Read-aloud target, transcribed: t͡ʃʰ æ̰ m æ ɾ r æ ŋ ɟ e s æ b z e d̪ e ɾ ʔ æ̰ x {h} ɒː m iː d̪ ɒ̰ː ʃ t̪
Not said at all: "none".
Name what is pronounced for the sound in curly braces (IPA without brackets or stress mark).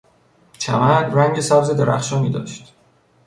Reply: ʃ